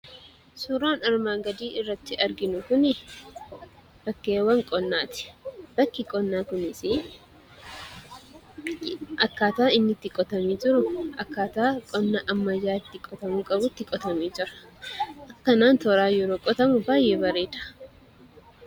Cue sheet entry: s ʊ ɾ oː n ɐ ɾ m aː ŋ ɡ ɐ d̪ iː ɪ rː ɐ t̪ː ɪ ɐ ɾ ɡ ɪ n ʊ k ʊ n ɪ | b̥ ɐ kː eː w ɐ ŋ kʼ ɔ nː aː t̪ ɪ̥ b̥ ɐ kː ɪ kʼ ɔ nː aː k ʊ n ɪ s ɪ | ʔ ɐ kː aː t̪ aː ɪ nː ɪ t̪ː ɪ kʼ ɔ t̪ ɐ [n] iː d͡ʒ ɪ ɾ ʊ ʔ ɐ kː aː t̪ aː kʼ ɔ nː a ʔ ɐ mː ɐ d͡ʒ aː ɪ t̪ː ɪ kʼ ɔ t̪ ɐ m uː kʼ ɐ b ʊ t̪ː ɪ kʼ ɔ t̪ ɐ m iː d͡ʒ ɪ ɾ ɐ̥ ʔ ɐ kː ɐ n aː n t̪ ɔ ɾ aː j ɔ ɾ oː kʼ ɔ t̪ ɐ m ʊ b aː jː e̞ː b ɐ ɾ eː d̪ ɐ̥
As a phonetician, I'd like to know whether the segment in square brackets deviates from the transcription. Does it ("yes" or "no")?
yes